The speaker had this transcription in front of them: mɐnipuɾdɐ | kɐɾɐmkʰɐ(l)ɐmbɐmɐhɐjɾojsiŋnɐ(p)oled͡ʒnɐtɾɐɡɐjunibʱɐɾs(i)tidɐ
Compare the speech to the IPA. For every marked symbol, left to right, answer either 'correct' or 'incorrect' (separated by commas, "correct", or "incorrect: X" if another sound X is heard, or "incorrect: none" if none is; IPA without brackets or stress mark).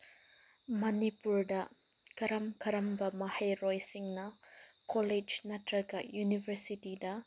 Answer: incorrect: ɾ, incorrect: k, correct